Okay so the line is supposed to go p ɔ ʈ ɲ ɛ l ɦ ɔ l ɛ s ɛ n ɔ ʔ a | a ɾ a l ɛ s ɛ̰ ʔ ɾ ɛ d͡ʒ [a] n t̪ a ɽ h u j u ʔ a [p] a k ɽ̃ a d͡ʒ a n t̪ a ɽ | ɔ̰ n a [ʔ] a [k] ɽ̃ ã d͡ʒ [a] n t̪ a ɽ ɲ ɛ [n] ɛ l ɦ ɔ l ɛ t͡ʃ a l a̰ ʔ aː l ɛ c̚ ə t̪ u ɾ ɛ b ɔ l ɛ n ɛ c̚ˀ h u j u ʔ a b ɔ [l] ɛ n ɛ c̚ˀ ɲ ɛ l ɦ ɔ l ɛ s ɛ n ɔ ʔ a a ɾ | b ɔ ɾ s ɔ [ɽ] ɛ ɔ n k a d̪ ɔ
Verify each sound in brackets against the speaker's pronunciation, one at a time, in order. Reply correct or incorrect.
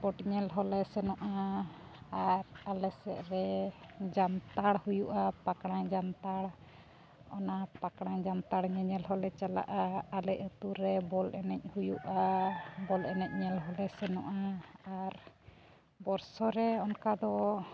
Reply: correct, correct, incorrect, correct, correct, incorrect, correct, incorrect

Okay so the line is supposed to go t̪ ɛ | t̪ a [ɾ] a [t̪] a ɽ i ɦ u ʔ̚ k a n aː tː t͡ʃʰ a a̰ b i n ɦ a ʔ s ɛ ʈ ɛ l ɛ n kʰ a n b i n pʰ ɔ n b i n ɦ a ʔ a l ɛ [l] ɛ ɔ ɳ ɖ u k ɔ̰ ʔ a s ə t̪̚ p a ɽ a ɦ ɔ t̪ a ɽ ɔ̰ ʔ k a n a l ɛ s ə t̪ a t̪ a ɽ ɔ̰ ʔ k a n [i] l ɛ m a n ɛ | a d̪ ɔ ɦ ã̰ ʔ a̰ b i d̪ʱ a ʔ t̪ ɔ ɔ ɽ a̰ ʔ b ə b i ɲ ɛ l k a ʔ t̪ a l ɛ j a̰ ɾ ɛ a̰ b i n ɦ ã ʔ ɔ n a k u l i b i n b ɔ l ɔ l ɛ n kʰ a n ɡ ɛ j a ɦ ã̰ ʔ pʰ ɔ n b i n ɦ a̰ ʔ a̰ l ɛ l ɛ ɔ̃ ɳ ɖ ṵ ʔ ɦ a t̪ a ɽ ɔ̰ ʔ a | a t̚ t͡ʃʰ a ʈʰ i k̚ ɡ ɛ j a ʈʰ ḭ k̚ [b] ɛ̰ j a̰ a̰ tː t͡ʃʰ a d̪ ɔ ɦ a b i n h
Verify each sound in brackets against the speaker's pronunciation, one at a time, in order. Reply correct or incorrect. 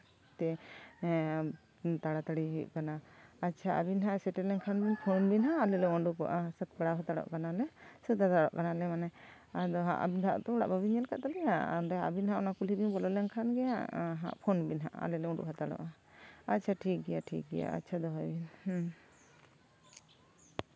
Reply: incorrect, correct, correct, incorrect, incorrect

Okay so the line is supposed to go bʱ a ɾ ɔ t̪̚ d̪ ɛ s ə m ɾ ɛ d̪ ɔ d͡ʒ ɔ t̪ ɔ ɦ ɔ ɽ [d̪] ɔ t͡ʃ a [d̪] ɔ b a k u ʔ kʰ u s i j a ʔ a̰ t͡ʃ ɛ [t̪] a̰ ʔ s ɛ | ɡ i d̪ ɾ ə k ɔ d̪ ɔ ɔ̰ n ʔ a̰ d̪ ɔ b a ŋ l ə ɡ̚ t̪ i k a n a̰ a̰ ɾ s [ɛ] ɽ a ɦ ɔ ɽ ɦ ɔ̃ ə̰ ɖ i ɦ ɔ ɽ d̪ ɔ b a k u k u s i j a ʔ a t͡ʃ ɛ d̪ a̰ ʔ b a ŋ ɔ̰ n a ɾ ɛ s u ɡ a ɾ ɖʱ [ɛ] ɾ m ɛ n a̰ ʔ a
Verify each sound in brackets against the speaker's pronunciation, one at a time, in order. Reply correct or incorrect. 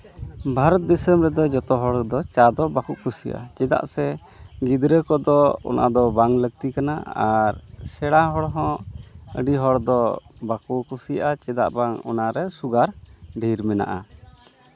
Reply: correct, correct, incorrect, correct, incorrect

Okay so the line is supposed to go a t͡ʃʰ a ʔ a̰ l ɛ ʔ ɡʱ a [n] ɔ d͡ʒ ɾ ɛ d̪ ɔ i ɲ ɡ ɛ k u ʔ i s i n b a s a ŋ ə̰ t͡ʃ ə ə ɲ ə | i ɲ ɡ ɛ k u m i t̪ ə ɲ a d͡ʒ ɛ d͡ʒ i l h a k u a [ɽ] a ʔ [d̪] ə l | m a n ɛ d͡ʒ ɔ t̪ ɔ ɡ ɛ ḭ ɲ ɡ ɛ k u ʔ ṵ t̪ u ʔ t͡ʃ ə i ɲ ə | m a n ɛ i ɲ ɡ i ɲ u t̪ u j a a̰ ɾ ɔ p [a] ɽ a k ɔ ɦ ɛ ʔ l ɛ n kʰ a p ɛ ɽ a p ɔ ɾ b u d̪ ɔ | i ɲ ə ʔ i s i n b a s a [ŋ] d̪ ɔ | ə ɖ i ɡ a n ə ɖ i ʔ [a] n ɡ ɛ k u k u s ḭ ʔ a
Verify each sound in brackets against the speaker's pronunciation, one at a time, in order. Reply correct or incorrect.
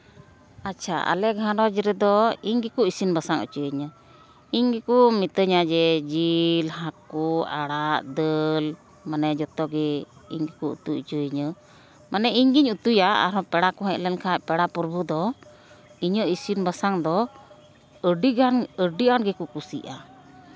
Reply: correct, correct, correct, incorrect, correct, correct

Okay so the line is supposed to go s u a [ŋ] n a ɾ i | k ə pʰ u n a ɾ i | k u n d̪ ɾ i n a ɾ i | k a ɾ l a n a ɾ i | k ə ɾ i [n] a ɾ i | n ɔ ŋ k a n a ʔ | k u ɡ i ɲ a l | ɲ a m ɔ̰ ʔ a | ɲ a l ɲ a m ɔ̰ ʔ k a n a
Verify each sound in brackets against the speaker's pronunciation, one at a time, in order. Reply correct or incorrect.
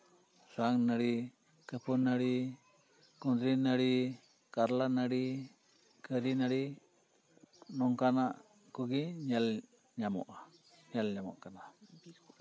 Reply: correct, correct

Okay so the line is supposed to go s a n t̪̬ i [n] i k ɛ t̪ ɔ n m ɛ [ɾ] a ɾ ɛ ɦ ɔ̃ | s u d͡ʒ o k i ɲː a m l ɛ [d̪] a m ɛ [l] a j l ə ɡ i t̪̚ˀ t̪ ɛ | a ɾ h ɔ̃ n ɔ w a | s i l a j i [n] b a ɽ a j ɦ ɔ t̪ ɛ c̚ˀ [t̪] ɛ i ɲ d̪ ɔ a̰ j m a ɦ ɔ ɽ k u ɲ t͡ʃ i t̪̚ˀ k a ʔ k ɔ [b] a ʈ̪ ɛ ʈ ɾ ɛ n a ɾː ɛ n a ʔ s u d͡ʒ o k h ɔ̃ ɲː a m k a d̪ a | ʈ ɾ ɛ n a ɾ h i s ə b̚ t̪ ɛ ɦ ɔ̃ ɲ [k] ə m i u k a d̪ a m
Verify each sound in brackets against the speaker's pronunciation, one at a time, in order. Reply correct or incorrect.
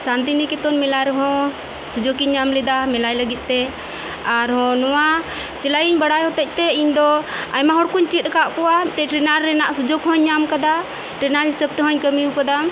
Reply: correct, incorrect, correct, correct, incorrect, correct, incorrect, correct

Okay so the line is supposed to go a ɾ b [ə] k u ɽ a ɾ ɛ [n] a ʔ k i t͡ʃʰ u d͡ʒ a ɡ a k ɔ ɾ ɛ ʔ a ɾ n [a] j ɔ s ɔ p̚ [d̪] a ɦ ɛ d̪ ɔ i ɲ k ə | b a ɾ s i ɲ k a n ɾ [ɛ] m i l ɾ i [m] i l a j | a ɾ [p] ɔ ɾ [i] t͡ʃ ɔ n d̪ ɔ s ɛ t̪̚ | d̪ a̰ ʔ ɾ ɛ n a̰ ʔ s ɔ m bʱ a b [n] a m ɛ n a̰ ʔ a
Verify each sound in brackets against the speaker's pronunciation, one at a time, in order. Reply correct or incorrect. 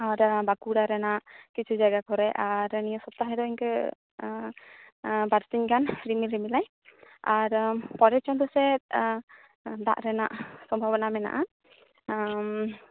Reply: incorrect, correct, incorrect, incorrect, incorrect, correct, correct, incorrect, correct

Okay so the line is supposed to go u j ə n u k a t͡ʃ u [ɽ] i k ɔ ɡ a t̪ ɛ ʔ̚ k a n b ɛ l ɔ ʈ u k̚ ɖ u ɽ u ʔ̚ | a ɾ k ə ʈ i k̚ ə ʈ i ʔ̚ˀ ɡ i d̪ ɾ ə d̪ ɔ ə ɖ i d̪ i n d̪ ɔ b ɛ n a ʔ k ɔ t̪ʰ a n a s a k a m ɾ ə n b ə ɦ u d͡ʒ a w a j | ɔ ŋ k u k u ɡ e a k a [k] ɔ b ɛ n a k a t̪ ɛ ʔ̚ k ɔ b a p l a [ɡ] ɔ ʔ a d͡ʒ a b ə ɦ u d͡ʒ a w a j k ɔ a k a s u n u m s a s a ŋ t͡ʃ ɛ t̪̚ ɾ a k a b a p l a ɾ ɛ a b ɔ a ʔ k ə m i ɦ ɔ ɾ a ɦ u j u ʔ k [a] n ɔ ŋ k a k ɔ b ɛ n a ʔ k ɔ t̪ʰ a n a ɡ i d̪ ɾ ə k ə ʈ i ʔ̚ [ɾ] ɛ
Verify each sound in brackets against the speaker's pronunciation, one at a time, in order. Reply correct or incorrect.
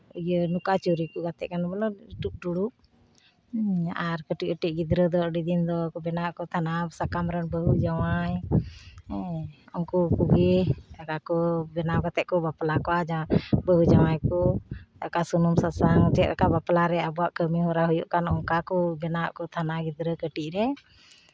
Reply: incorrect, correct, incorrect, correct, correct

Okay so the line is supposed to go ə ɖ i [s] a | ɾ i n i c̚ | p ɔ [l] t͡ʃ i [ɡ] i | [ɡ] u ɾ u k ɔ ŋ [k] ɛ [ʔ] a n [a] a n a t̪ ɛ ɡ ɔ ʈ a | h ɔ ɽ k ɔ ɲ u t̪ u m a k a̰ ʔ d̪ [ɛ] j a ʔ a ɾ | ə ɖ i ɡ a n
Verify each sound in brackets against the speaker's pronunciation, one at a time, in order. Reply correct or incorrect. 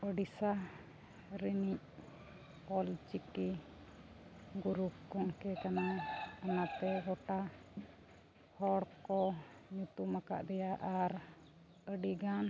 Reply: correct, correct, incorrect, correct, correct, incorrect, correct, correct

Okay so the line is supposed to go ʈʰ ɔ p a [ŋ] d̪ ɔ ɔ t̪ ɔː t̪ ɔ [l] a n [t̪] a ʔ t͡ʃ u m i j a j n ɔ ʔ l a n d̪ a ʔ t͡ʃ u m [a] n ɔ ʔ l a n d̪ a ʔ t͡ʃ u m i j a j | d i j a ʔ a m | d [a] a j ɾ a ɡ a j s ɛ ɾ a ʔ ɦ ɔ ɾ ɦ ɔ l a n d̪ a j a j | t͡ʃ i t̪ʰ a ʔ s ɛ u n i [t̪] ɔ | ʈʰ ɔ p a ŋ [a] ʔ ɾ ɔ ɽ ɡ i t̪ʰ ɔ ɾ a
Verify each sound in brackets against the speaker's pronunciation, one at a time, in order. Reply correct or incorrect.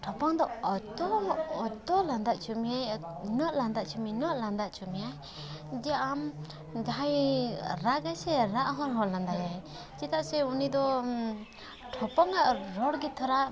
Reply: correct, correct, incorrect, incorrect, correct, incorrect, correct

